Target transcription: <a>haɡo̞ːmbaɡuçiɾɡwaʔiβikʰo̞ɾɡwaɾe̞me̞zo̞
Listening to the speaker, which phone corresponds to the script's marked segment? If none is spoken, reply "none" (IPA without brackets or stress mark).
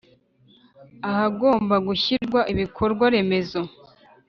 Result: a